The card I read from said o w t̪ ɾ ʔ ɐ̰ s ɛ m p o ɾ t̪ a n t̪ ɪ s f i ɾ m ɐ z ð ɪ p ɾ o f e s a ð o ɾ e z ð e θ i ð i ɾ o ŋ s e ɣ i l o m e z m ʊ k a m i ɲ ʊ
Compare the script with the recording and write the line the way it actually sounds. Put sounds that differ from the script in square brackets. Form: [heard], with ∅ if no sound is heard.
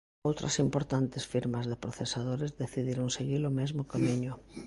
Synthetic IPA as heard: o w t̪ ɾ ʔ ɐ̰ s [i] m p o ɾ t̪ a n t̪ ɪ s f i ɾ m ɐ z ð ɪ p ɾ o [θ] e s a ð o ɾ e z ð e θ i ð i ɾ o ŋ s e ɣ i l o m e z m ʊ k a m i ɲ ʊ